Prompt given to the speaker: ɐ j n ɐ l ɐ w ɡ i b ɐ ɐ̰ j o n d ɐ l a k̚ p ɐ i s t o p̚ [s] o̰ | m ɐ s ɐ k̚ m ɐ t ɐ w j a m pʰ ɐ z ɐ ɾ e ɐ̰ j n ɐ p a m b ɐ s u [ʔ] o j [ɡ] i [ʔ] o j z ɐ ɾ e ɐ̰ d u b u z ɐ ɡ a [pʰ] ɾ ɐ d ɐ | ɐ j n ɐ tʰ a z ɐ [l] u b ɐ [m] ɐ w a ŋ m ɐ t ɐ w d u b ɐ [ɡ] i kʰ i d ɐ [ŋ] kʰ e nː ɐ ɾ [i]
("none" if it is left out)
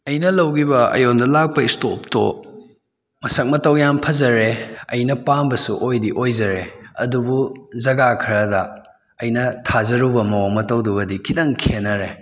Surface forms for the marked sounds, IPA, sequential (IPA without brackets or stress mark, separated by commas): t, ʔ, d, ʔ, kʰ, ɾ, m, d, ŋ, e